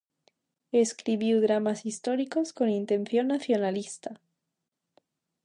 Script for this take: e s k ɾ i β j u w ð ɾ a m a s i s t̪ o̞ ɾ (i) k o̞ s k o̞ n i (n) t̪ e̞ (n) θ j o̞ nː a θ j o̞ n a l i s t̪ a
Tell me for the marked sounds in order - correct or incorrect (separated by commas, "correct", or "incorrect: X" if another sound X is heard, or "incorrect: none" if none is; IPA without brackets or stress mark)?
correct, correct, correct